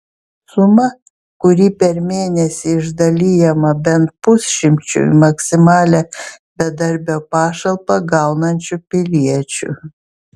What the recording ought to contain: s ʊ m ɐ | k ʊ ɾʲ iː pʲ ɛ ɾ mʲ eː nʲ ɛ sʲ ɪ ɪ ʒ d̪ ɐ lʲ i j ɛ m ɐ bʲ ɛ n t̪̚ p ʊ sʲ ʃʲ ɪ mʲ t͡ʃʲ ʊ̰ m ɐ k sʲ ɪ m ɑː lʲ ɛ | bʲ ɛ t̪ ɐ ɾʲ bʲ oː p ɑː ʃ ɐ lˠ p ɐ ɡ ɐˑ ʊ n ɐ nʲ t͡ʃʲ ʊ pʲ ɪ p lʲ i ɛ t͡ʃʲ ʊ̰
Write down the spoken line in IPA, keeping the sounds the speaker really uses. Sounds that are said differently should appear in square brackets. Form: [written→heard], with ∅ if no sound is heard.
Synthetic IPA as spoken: s ʊ m ɐ | k ʊ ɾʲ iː pʲ ɛ ɾ mʲ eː nʲ ɛ sʲ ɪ ɪ ʒ d̪ ɐ lʲ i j ɛ m ɐ bʲ ɛ n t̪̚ p ʊ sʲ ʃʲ ɪ mʲ t͡ʃʲ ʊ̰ m ɐ k sʲ ɪ m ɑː lʲ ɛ | bʲ ɛ [t̪→d̪] ɐ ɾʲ bʲ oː p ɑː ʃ ɐ lˠ p ɐ ɡ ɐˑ ʊ n ɐ nʲ t͡ʃʲ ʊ pʲ ɪ [p→∅] lʲ i ɛ t͡ʃʲ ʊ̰

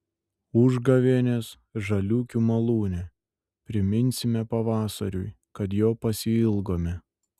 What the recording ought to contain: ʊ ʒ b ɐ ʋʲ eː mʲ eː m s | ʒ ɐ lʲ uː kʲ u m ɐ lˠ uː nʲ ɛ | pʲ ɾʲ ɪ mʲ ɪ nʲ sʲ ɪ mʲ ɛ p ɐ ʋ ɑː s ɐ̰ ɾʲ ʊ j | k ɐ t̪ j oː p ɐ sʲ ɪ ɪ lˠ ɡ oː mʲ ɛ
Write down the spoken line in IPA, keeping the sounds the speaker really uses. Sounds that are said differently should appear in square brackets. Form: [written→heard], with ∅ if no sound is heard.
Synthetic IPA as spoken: ʊ ʒ [b→ɡ] ɐ ʋʲ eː [mʲ→nʲ] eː [m→∅] s | ʒ ɐ lʲ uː kʲ u m ɐ lˠ uː nʲ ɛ | pʲ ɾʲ ɪ mʲ ɪ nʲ sʲ ɪ mʲ ɛ p ɐ ʋ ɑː s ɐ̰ ɾʲ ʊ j | k ɐ t̪ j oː p ɐ sʲ ɪ ɪ lˠ ɡ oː mʲ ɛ

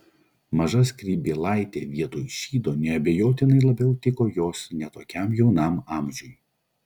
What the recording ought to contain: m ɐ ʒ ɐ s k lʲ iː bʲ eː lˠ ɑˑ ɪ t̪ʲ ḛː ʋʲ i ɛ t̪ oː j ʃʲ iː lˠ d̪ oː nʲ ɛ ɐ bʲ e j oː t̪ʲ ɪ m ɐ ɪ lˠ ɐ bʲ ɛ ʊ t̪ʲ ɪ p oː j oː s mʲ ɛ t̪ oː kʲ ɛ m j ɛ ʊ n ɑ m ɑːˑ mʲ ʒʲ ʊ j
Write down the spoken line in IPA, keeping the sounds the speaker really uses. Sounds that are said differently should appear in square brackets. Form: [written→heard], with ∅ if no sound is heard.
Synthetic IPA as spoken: m ɐ ʒ ɐ s k [lʲ→ɾʲ] iː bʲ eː lˠ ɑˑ ɪ t̪ʲ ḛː ʋʲ i ɛ t̪ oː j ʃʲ iː [lˠ→∅] d̪ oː nʲ ɛ ɐ bʲ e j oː t̪ʲ ɪ [m→n] ɐ ɪ lˠ ɐ bʲ ɛ ʊ t̪ʲ ɪ [p→k] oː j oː s [mʲ→nʲ] ɛ t̪ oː kʲ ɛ m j ɛ ʊ n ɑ m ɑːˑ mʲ ʒʲ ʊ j

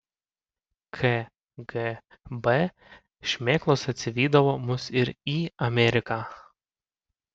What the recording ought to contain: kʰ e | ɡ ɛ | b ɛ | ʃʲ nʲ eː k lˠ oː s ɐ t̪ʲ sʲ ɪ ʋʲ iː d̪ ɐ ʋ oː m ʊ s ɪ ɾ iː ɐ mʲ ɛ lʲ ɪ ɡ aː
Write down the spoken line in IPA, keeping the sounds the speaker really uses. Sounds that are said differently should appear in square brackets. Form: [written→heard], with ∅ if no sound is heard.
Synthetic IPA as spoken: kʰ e | ɡ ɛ | b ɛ | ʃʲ [nʲ→mʲ] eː k lˠ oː s ɐ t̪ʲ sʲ ɪ ʋʲ iː d̪ ɐ ʋ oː m ʊ s ɪ ɾ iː ɐ mʲ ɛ [lʲ→ɾʲ] ɪ [ɡ→k] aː

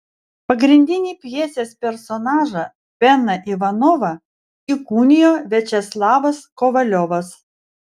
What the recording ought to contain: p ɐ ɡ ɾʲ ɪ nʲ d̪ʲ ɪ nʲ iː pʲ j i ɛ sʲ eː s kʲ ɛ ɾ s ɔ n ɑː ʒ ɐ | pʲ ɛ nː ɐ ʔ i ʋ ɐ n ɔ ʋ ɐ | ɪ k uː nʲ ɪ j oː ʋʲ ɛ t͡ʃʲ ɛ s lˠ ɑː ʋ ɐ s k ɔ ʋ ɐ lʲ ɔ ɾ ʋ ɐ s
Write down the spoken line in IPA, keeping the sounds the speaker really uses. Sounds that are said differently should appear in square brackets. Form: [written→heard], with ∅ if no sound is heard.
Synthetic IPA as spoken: p ɐ ɡ ɾʲ ɪ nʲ d̪ʲ ɪ nʲ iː pʲ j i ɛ sʲ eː s [kʲ→pʲ] ɛ ɾ s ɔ n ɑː ʒ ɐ | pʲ ɛ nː ɐ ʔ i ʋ ɐ n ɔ ʋ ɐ | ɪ k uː nʲ ɪ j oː ʋʲ ɛ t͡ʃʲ ɛ s lˠ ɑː ʋ ɐ s k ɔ ʋ ɐ lʲ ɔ [ɾ→∅] ʋ ɐ s

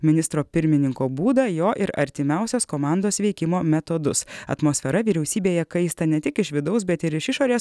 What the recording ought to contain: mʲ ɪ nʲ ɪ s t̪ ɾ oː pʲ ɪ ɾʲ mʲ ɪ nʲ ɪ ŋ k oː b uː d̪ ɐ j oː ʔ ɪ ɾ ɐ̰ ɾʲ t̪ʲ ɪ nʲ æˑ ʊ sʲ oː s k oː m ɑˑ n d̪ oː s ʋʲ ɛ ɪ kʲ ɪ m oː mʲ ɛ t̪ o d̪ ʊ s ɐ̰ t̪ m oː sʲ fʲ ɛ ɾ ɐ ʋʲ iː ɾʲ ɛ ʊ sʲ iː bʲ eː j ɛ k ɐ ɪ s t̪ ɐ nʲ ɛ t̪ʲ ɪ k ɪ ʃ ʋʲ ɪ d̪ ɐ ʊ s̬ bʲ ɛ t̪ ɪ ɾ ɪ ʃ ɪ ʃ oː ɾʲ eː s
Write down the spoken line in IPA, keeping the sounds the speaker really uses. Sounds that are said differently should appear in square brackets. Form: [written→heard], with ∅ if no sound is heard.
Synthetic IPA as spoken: mʲ ɪ nʲ ɪ s t̪ ɾ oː pʲ ɪ ɾʲ mʲ ɪ nʲ ɪ ŋ k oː b uː d̪ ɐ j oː ʔ ɪ ɾ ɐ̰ ɾʲ t̪ʲ ɪ [nʲ→mʲ] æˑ ʊ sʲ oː s k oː m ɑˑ n d̪ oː s ʋʲ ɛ ɪ kʲ ɪ m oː mʲ ɛ t̪ o d̪ ʊ s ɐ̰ t̪ m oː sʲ fʲ ɛ ɾ ɐ ʋʲ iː ɾʲ ɛ ʊ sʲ iː bʲ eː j ɛ k ɐ ɪ s t̪ ɐ nʲ ɛ t̪ʲ ɪ k ɪ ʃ ʋʲ ɪ d̪ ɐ ʊ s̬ bʲ ɛ t̪ ɪ ɾ ɪ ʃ ɪ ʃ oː ɾʲ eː s

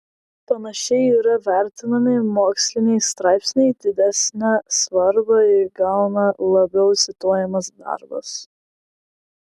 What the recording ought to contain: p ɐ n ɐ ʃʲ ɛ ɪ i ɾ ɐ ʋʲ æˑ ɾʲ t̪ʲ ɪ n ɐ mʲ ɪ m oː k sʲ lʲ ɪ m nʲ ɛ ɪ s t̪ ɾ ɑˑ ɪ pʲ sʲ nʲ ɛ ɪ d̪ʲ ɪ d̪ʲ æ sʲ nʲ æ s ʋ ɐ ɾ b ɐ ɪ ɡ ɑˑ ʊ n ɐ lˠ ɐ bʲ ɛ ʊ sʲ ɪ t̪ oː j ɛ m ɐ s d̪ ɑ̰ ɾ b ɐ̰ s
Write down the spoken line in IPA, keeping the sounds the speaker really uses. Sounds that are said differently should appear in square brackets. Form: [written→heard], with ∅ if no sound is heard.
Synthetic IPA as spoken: p ɐ n ɐ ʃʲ ɛ ɪ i ɾ ɐ ʋʲ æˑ ɾʲ t̪ʲ ɪ n ɐ mʲ ɪ m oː k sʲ lʲ ɪ [m→∅] nʲ ɛ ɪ s t̪ ɾ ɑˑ ɪ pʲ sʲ nʲ ɛ ɪ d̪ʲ ɪ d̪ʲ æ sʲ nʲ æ s ʋ ɐ ɾ b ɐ ɪ ɡ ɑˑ ʊ n ɐ lˠ ɐ bʲ ɛ ʊ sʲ ɪ t̪ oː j ɛ m ɐ s d̪ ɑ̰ ɾ b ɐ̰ s

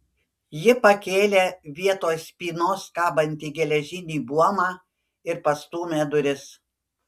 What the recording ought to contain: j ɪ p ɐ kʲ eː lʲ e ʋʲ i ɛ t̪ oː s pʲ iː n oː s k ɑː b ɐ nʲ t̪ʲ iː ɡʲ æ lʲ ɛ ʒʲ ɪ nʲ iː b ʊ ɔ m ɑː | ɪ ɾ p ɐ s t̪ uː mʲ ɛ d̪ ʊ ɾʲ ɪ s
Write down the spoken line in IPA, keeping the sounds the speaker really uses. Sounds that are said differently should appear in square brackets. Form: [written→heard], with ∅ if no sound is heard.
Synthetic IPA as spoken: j ɪ p ɐ kʲ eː lʲ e ʋʲ i ɛ t̪ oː s pʲ iː n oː s k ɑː b ɐ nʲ t̪ʲ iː ɡʲ [æ→ɛ] lʲ ɛ ʒʲ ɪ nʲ iː b [ʊ→u] ɔ m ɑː | ɪ ɾ p ɐ s t̪ uː mʲ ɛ d̪ ʊ ɾʲ ɪ s

